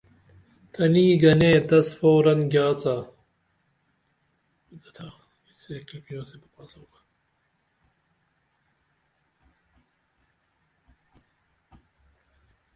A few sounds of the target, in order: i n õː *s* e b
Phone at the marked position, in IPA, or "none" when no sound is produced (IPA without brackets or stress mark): s